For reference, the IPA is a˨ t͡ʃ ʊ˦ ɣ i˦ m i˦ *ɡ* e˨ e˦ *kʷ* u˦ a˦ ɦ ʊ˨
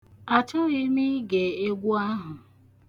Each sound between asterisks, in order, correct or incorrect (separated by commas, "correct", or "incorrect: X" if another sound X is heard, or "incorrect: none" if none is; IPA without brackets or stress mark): correct, incorrect: ɡʷ